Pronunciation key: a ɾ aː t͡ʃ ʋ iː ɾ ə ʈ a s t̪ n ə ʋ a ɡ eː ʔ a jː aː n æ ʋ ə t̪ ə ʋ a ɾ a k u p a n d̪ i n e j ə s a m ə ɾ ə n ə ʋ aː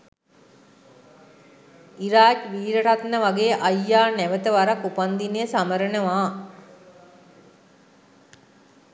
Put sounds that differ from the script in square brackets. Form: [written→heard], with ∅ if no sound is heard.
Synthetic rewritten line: [a→i] ɾ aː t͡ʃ ʋ iː ɾ ə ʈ a [s→∅] t̪ n ə ʋ a ɡ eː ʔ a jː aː n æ ʋ ə t̪ ə ʋ a ɾ a k u p a n d̪ i n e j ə s a m ə ɾ ə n ə ʋ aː

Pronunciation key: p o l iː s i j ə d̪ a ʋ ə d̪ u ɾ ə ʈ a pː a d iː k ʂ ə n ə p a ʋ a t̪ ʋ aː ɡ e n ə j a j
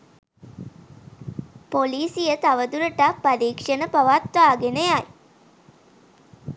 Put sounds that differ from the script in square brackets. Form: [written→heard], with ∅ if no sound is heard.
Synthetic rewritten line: p o l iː s i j ə [d̪→t̪] a ʋ ə d̪ u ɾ ə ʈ a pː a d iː k ʂ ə n ə p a ʋ a t̪ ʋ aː ɡ e n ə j a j

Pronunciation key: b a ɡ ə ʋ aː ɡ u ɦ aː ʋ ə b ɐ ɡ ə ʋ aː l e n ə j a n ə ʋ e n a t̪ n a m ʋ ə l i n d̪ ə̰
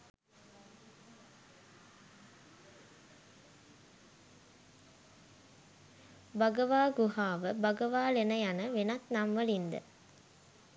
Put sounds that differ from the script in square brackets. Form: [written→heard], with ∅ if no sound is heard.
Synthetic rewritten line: b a ɡ ə ʋ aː ɡ u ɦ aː ʋ ə b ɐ ɡ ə ʋ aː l e n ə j a n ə ʋ e n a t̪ n a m ʋ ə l i n d̪ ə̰

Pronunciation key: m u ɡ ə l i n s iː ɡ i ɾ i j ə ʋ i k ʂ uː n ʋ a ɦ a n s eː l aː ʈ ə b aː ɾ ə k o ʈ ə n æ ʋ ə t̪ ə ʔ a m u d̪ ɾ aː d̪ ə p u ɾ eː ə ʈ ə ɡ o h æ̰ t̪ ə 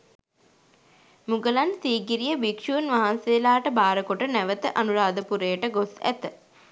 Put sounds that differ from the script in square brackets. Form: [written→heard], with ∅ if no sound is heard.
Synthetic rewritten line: m u ɡ ə l [i→a] n s iː ɡ i ɾ i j ə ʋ i k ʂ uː n ʋ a ɦ a n s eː l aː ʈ ə b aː ɾ ə k o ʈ ə n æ ʋ ə t̪ ə ʔ a [m→n] u [d̪→∅] ɾ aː d̪ ə p u ɾ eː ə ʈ ə ɡ o [h→s] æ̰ t̪ ə

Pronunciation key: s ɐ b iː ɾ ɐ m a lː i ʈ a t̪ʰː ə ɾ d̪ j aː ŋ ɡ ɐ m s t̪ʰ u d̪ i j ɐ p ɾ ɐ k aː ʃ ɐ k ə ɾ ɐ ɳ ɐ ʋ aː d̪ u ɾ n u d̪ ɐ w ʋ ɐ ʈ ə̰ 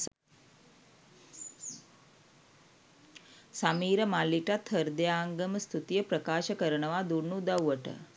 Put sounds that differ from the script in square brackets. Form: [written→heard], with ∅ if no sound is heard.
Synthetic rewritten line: s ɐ [b→m] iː ɾ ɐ m a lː i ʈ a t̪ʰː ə ɾ d̪ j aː ŋ ɡ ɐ m s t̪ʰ u [d̪→t̪] i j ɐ p ɾ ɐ k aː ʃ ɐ k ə ɾ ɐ ɳ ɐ ʋ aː d̪ u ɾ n u d̪ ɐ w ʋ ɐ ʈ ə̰

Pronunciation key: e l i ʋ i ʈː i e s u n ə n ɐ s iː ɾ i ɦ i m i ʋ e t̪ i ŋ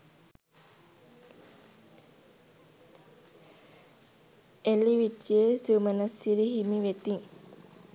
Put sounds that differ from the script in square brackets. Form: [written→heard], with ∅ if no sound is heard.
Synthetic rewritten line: e l i ʋ i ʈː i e s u [n→m] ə n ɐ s [iː→i] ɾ i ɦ i m i ʋ e t̪ i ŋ

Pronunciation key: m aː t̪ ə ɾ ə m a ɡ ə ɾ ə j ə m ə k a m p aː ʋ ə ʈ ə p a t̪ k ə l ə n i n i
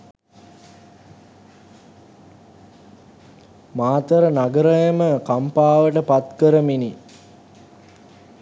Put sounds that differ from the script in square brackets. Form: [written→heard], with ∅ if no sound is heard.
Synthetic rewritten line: m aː t̪ ə ɾ ə [m→n] a ɡ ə ɾ ə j ə m ə k a m p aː ʋ ə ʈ ə p a t̪ k ə [l→ɾ] ə [n→m] i n i

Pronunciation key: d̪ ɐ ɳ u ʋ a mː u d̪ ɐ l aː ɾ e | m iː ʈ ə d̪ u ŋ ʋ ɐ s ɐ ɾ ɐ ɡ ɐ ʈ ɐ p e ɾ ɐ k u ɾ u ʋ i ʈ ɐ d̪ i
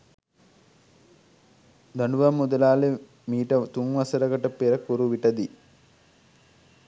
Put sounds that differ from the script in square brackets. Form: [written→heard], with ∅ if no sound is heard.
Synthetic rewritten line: d̪ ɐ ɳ u ʋ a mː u d̪ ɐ l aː [ɾ→l] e | m iː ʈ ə [d̪→t̪] u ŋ ʋ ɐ s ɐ ɾ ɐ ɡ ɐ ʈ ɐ p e ɾ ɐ k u ɾ u ʋ i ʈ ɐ d̪ i

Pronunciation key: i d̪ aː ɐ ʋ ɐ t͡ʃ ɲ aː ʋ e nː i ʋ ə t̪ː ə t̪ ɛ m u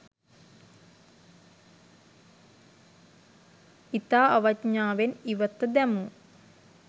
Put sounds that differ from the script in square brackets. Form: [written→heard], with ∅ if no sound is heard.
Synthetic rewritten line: i [d̪→t̪] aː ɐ ʋ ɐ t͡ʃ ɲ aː ʋ e [nː→n] i ʋ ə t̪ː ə [t̪→d̪] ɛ m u

